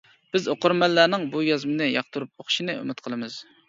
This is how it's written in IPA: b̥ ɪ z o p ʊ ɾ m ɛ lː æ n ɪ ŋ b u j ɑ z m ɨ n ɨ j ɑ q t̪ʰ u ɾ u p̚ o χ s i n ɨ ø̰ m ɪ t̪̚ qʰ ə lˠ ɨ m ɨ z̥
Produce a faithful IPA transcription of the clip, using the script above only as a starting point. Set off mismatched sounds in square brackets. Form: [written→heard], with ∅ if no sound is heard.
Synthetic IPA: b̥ ɪ z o [p→q] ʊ ɾ m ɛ lː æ n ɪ ŋ b u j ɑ z m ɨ n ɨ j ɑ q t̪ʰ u ɾ u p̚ o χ [s→ʃ] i n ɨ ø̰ m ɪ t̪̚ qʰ ə lˠ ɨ m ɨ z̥